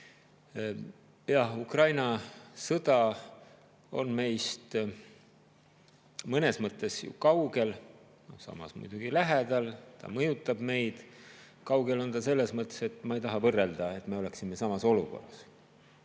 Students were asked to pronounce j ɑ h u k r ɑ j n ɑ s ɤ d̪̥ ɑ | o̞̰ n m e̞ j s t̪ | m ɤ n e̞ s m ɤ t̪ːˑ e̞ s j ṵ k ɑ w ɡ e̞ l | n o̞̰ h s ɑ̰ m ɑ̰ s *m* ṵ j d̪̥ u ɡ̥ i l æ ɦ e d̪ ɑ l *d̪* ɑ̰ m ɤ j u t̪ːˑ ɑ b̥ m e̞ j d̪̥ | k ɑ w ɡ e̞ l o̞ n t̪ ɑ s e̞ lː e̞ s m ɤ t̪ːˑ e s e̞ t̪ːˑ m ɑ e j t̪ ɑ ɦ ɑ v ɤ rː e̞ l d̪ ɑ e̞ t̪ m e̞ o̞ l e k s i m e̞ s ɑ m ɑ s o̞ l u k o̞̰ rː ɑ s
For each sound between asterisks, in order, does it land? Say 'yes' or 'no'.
yes, no

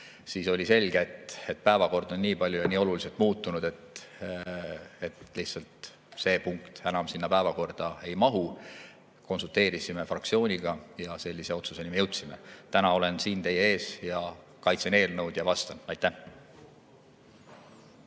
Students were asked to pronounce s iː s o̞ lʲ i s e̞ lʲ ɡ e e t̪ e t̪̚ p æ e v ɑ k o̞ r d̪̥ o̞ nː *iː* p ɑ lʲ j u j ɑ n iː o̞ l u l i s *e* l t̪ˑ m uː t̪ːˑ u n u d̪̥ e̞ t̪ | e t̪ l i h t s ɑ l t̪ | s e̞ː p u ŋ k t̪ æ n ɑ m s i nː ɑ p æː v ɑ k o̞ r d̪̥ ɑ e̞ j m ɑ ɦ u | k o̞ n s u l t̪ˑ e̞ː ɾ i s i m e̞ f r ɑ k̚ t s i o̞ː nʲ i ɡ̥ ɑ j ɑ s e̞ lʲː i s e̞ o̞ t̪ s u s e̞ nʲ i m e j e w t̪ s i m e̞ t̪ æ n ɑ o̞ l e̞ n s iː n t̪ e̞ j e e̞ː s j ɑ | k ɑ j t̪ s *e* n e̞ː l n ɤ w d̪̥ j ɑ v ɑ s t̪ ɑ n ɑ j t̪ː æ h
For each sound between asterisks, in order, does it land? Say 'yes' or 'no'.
yes, yes, yes

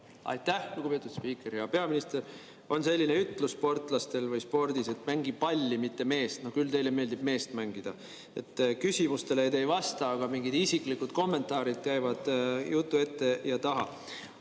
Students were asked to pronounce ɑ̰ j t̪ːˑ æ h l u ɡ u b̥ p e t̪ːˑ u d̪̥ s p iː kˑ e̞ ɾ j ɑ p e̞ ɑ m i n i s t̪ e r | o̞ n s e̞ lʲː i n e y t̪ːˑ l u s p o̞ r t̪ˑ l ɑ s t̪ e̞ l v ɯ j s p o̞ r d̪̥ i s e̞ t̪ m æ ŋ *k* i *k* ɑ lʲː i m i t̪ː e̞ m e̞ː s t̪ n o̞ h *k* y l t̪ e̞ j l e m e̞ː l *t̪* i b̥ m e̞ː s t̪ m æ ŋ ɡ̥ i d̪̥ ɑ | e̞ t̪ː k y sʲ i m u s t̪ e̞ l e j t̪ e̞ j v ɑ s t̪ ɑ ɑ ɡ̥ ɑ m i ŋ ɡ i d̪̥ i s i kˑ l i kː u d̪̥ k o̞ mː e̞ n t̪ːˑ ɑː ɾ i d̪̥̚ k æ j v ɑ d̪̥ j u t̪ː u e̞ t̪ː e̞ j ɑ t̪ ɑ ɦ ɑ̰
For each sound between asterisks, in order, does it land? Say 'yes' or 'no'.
no, no, yes, no

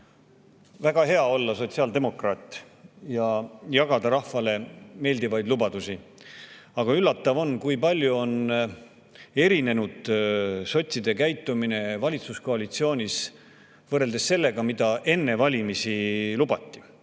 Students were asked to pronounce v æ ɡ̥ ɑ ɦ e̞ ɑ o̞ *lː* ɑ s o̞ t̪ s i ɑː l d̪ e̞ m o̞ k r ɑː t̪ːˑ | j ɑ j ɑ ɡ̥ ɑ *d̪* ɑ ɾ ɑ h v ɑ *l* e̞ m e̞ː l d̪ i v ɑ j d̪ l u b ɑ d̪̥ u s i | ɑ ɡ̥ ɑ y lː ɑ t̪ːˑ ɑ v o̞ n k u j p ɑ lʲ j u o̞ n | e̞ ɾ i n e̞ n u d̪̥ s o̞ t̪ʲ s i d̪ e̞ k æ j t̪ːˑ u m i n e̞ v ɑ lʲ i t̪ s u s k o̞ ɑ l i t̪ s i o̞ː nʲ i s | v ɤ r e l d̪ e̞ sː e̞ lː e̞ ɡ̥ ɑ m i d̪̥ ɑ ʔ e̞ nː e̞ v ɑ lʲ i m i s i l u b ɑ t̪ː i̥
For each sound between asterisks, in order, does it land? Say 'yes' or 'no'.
yes, yes, yes

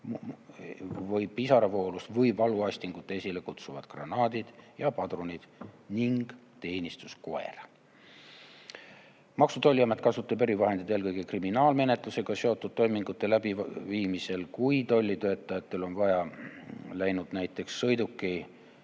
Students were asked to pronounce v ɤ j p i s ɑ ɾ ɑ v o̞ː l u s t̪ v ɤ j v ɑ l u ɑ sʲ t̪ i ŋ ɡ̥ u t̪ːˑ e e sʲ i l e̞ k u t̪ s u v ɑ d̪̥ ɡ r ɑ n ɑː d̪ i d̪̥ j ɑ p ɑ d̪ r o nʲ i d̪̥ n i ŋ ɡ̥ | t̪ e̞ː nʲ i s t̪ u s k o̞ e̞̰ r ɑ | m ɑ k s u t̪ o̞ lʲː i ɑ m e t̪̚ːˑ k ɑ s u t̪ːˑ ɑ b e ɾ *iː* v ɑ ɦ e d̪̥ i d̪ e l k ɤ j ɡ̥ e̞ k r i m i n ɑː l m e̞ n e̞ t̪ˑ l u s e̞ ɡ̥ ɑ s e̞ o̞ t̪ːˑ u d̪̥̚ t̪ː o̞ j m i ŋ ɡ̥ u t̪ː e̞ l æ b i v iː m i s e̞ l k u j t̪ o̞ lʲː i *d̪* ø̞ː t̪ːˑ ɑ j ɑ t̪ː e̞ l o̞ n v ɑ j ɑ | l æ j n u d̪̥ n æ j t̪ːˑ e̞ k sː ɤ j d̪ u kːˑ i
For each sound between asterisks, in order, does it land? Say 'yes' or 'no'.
no, no

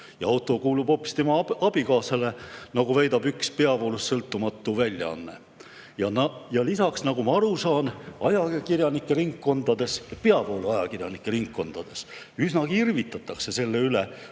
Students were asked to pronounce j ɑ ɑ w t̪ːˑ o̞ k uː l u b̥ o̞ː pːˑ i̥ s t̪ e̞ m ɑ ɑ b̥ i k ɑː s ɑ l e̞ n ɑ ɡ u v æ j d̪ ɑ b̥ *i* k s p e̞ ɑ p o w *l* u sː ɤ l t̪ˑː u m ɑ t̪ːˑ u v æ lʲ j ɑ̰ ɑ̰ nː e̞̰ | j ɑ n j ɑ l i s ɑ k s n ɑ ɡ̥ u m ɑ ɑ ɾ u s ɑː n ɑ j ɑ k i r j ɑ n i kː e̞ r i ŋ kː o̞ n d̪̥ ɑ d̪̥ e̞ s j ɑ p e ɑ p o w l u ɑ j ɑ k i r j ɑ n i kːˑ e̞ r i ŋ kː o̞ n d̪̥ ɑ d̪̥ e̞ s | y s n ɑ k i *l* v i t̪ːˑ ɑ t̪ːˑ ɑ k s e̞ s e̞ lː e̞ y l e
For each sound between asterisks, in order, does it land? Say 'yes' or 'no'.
no, yes, no

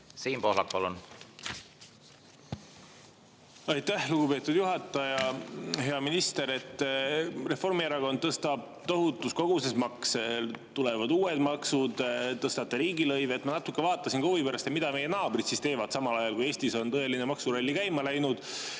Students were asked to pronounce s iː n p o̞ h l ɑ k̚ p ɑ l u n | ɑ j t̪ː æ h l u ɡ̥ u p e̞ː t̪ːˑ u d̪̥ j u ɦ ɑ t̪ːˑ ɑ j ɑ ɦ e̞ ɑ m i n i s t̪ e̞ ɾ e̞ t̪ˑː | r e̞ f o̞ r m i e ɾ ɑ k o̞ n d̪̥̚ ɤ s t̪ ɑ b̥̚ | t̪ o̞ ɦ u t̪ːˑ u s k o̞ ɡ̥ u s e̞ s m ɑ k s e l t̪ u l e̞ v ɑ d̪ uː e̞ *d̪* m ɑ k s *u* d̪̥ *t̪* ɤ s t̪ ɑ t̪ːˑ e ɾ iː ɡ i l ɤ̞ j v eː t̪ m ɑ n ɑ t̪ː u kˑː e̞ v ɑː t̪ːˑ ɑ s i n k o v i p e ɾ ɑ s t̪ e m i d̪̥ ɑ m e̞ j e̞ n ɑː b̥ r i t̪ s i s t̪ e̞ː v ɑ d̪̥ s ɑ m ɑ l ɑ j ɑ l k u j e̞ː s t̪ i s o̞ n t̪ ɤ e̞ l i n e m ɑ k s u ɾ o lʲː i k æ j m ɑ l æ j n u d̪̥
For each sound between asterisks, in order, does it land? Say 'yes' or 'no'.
yes, yes, yes

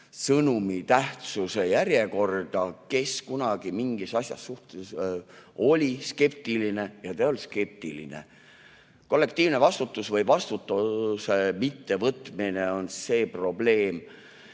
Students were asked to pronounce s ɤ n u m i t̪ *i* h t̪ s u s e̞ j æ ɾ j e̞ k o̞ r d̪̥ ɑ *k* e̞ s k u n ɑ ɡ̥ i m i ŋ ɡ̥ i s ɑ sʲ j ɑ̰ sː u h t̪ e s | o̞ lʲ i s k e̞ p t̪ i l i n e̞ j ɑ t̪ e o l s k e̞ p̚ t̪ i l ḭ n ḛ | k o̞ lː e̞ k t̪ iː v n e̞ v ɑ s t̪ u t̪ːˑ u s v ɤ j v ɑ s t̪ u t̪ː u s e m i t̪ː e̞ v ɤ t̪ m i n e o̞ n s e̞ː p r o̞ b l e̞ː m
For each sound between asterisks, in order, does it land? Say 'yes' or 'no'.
no, yes

